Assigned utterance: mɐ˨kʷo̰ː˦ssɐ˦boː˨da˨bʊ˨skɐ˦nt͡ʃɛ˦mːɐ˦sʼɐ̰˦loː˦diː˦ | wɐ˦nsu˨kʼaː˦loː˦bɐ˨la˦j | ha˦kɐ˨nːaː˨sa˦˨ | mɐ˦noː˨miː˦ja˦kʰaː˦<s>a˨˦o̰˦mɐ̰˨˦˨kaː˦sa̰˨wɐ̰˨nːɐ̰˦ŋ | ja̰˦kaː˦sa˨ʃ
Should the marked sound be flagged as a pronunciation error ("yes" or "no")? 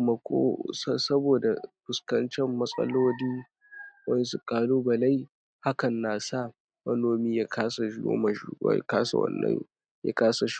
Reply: no